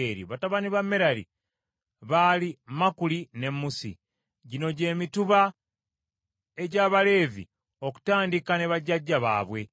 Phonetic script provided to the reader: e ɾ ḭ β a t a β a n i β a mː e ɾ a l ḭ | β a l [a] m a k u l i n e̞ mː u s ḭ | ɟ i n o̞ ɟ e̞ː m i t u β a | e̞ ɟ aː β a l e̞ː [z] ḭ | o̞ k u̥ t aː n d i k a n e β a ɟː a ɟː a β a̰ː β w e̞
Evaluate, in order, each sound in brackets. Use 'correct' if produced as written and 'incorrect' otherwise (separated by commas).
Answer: incorrect, incorrect